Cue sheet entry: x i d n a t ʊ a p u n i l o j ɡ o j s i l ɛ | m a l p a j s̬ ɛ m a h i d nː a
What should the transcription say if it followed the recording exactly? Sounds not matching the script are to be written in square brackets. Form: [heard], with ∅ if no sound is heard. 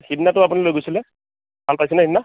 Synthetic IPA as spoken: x i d n a t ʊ a p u n i l o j ɡ o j s i l ɛ | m a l p a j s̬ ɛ [n] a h i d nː a